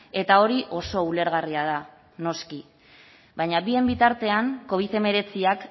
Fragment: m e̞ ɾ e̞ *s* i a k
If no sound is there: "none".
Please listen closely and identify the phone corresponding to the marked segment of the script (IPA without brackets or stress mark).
t͡s